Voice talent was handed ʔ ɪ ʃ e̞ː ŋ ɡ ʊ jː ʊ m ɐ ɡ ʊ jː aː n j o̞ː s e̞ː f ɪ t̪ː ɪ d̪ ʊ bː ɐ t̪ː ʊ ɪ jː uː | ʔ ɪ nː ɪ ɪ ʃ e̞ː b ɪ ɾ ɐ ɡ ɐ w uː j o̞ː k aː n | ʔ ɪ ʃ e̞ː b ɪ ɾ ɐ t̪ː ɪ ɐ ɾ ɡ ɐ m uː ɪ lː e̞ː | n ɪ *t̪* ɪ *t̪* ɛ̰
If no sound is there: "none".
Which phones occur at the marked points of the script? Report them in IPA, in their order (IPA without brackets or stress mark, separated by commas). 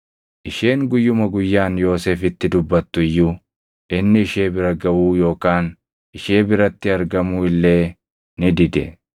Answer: d̪, d̪